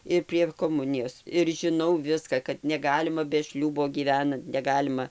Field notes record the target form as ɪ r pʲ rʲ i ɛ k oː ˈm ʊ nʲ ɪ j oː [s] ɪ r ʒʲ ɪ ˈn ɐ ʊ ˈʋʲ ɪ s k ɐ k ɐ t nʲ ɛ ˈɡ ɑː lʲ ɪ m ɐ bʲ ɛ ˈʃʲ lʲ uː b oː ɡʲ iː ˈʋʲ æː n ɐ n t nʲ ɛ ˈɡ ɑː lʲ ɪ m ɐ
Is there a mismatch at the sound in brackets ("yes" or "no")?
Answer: no